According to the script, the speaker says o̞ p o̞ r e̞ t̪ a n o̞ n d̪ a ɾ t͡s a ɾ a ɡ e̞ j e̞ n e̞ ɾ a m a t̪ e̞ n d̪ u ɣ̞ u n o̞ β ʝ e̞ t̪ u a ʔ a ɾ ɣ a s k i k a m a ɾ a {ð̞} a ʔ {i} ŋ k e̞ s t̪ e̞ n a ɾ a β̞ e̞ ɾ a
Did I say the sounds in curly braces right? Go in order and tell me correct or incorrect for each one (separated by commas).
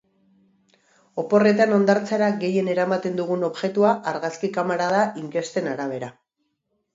correct, correct